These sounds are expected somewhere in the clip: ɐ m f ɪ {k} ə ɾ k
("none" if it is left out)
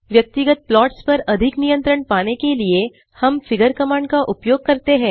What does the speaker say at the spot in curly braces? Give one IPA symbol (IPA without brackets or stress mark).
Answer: ɡ